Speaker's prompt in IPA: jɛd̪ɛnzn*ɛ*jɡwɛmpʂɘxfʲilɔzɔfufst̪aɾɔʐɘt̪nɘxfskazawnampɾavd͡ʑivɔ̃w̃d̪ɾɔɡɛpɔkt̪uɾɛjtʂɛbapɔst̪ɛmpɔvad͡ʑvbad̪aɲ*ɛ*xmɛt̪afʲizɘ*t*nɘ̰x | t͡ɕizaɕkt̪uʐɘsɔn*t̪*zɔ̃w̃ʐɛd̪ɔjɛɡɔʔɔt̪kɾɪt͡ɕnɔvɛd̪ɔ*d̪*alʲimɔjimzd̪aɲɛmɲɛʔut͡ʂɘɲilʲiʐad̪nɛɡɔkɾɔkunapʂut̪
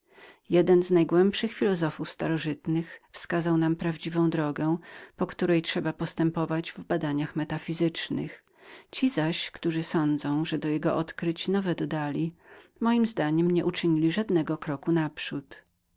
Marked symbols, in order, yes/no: no, no, no, no, yes

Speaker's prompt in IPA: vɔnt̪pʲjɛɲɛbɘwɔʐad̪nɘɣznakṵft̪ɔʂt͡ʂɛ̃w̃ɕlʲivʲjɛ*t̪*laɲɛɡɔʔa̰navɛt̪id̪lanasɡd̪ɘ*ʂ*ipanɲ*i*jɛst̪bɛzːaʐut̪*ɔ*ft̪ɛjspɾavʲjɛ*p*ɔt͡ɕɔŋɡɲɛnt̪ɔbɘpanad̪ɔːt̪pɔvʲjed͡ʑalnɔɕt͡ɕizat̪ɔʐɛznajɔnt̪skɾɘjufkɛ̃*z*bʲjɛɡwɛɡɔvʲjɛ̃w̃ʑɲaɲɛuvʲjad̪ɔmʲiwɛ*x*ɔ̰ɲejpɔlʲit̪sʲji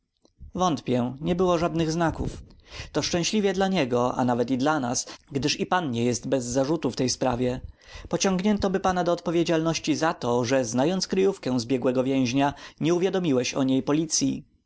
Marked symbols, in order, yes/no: no, yes, no, no, yes, yes, no

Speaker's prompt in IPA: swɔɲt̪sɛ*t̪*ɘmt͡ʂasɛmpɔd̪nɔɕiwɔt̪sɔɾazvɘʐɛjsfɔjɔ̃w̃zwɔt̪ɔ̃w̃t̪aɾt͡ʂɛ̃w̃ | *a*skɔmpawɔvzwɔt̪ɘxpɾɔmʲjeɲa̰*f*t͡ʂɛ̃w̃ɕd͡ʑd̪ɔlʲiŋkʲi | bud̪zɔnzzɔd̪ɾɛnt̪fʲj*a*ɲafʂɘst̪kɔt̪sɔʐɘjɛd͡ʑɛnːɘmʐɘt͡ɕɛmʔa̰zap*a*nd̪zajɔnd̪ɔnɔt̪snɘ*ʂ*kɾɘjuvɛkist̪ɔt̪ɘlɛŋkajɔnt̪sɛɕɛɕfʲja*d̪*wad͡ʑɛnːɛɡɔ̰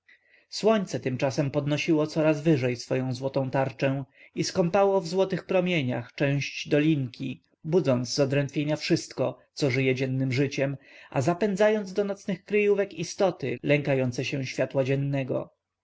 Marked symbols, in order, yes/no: yes, no, no, no, no, no, no

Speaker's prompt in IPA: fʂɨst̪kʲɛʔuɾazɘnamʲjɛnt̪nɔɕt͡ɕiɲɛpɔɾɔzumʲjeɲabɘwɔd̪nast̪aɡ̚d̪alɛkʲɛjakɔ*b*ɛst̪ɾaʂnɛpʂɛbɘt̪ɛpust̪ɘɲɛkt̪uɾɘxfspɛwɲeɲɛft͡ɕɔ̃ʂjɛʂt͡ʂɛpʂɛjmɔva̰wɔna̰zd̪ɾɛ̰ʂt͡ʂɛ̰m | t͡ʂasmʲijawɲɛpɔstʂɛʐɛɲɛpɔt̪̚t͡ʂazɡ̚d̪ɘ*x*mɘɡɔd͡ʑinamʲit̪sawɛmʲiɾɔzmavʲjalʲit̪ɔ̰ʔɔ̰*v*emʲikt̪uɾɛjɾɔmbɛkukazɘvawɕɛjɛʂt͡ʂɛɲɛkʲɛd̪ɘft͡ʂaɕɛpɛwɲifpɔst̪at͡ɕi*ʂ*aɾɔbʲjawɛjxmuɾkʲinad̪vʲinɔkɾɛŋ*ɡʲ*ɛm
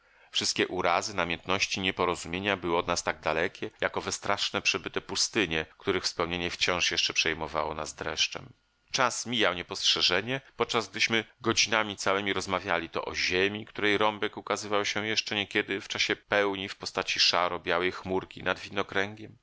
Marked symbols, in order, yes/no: no, no, no, yes, yes

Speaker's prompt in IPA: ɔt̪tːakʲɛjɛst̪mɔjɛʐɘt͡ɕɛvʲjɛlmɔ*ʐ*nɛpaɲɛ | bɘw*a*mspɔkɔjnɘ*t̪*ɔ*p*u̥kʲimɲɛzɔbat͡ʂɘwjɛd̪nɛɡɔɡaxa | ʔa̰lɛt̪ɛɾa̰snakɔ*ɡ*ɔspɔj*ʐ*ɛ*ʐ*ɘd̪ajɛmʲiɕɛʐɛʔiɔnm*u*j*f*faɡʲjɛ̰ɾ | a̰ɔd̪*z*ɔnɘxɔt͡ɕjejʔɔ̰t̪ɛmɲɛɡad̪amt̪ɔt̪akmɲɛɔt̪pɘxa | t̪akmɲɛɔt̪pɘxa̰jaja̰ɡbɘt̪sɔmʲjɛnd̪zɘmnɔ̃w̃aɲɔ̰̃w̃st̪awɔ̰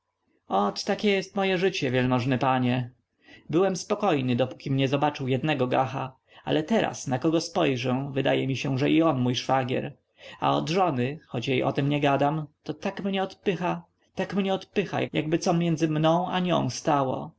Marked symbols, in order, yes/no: yes, no, no, yes, yes, yes, no, yes, no, no

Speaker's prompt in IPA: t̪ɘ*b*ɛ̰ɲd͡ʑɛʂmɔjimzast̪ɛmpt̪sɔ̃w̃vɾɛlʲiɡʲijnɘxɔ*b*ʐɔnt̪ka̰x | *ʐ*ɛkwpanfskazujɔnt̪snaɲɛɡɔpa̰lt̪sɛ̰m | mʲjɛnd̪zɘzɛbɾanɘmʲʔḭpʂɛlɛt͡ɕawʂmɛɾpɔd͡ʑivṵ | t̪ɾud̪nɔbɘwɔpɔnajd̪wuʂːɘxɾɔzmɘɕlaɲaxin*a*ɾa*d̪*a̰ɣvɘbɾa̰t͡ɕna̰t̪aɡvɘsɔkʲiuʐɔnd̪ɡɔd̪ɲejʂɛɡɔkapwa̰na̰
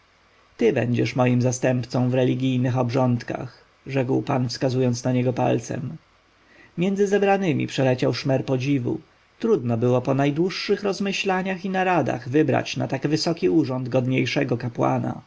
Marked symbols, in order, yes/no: yes, yes, yes, yes, yes

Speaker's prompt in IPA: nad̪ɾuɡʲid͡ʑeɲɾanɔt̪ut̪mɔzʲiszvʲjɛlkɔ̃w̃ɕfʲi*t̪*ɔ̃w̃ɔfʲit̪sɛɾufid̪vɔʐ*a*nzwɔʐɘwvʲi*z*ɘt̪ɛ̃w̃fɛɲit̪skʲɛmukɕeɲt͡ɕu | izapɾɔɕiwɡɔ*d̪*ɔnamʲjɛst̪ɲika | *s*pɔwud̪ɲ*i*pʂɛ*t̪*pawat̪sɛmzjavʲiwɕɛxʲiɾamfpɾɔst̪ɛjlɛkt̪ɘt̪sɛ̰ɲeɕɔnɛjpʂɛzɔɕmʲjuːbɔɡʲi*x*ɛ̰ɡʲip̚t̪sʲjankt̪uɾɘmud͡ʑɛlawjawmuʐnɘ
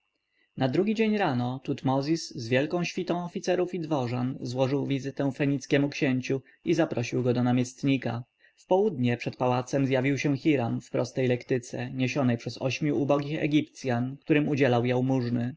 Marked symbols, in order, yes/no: yes, yes, yes, yes, no, no, yes, yes

